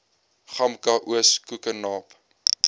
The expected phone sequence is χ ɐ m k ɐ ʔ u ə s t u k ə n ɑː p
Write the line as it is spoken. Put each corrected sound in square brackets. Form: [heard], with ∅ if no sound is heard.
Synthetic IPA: χ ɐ m k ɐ ʔ u ə s [k] u k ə n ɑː p